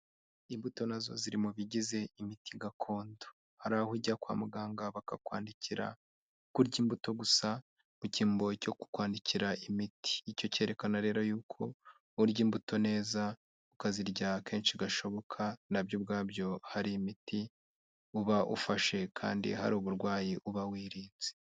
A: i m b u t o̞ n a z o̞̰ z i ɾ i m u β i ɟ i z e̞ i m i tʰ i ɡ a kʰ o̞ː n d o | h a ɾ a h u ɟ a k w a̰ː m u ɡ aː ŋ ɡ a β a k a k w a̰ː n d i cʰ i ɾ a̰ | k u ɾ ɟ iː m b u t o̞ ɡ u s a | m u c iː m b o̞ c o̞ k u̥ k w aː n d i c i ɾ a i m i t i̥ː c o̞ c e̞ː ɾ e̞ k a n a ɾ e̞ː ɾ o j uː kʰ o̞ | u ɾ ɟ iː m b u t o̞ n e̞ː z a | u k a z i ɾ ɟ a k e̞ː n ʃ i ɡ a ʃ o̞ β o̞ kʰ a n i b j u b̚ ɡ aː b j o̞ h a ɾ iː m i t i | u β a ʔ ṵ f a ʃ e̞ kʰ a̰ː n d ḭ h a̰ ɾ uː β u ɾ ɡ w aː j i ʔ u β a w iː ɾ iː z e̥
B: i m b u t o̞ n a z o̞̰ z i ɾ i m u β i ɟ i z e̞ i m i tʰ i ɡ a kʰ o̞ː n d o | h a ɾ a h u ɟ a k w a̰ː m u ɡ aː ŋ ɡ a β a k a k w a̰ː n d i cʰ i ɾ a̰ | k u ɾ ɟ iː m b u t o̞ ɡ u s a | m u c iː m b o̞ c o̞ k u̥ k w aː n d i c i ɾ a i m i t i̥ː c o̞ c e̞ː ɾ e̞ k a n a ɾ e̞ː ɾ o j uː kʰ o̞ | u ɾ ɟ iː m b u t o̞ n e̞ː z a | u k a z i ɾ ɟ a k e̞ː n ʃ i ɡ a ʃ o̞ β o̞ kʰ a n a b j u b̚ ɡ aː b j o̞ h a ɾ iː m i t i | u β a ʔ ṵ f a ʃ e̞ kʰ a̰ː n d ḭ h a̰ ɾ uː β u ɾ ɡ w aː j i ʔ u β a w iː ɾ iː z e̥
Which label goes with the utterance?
B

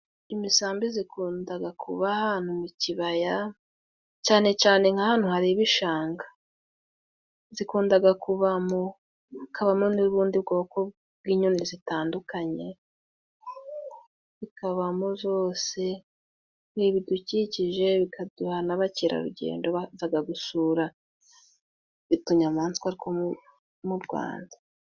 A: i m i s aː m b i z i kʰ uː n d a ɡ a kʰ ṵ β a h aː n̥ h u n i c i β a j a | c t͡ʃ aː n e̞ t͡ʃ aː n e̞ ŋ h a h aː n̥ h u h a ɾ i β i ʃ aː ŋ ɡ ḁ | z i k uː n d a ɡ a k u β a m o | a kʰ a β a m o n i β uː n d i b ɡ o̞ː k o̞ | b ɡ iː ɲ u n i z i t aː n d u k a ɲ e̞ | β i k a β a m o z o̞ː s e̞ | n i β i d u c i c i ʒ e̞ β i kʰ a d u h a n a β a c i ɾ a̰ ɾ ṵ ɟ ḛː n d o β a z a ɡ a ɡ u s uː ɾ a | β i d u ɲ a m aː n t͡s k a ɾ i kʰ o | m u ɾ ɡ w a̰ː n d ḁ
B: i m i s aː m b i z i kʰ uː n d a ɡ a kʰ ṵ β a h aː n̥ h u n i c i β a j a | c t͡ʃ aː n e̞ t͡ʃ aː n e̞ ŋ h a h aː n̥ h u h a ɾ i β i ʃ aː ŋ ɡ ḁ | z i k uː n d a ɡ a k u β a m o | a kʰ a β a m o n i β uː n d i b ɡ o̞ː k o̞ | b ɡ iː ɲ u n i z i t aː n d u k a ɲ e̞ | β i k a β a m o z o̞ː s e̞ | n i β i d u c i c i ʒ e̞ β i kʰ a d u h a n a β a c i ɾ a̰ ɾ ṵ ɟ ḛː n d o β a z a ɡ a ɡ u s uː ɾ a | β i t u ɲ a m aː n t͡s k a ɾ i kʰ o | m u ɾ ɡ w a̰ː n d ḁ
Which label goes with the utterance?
B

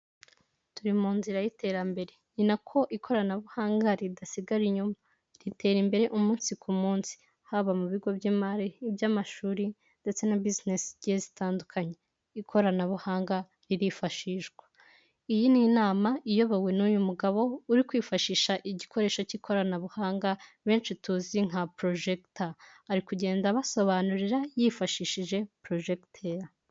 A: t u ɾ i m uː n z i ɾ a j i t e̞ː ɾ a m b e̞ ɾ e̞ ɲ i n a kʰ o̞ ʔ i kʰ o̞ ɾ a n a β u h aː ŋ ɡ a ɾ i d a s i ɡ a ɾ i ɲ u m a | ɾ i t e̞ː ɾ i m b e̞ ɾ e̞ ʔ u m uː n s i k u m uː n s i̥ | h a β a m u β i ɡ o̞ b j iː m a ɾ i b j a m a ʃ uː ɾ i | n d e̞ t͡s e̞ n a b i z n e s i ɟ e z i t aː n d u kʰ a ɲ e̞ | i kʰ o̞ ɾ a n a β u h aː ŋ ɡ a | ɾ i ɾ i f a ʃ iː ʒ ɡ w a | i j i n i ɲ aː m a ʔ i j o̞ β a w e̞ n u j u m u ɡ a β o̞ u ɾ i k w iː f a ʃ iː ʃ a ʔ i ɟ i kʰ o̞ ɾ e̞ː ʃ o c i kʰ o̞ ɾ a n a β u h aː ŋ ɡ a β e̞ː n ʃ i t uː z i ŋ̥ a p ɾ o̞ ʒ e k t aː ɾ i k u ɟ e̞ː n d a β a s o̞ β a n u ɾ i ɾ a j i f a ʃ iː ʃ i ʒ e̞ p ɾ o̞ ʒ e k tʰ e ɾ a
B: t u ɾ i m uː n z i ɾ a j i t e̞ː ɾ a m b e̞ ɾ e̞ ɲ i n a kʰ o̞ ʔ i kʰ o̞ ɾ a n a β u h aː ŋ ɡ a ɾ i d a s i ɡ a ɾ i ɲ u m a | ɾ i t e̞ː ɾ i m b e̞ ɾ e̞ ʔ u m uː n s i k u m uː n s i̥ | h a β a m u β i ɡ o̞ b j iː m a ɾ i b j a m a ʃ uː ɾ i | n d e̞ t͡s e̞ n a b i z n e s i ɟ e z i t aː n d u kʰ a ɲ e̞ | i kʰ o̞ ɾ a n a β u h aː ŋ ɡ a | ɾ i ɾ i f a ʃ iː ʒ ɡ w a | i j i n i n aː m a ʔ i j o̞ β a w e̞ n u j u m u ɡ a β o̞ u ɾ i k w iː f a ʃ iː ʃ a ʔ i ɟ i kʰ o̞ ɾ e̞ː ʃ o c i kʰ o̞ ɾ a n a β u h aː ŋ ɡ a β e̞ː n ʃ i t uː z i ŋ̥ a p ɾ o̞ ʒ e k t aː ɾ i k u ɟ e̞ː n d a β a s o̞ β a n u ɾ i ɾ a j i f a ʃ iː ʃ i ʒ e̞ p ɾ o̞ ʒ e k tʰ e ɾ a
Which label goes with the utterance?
B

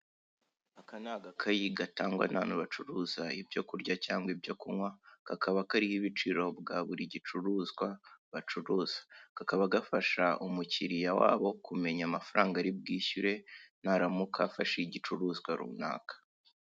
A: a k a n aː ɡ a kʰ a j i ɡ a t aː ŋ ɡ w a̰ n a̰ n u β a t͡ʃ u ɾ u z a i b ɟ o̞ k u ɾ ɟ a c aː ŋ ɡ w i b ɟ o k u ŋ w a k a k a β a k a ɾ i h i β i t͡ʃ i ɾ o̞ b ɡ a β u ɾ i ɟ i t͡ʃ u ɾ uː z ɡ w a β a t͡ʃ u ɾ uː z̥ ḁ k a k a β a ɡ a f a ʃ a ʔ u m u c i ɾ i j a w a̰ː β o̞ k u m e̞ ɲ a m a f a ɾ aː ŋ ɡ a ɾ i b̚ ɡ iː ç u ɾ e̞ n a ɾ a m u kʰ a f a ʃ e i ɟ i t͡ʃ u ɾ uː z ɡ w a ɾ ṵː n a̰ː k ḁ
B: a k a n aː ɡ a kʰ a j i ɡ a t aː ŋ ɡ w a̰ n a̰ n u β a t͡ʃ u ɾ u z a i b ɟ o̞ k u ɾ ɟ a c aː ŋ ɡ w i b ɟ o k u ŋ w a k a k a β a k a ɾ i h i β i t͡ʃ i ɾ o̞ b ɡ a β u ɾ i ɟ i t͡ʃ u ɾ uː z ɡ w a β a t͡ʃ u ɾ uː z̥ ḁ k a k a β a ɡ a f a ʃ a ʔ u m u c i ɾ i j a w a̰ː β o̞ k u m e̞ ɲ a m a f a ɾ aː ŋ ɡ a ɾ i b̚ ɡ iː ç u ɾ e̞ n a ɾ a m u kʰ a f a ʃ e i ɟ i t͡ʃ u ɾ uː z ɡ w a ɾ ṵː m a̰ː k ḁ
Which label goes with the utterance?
A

